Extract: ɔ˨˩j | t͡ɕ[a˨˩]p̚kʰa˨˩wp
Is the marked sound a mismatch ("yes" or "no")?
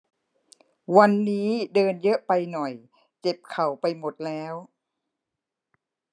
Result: yes